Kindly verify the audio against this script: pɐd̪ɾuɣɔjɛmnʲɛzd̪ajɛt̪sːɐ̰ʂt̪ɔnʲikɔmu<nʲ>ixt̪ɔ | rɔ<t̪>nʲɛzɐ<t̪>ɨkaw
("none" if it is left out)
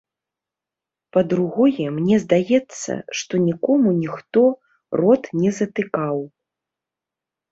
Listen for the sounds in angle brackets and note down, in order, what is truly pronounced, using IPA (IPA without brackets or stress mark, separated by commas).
nʲ, t̪, t̪